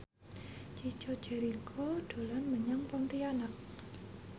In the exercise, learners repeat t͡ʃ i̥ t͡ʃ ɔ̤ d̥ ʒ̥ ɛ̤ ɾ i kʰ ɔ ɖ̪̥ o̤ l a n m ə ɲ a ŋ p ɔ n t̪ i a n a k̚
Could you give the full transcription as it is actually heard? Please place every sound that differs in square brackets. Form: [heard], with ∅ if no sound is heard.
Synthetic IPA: t͡ʃ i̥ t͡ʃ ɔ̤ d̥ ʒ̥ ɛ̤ ɾ i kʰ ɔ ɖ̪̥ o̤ l a n m ə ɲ a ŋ p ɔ n t̪ i a n a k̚